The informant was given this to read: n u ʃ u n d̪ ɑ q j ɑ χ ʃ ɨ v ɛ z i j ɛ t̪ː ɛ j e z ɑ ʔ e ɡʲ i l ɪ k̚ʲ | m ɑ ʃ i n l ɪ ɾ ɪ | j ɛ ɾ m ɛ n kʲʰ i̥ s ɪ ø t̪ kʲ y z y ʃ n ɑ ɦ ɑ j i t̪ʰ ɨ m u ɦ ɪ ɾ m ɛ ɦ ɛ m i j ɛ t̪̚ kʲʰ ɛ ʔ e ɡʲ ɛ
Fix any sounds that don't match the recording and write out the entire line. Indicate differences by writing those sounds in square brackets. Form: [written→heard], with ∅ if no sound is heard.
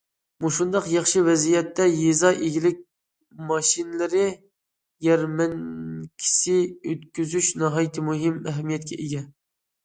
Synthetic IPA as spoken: [n→m] u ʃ u n d̪ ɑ q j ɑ χ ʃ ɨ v ɛ z i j ɛ t̪ː ɛ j e z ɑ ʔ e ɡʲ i l ɪ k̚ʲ | m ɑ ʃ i n l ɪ ɾ ɪ | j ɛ ɾ m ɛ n kʲʰ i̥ s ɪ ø t̪ kʲ y z y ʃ n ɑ ɦ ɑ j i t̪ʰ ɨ m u ɦ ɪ [ɾ→∅] m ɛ ɦ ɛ m i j ɛ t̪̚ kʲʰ ɛ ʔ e ɡʲ ɛ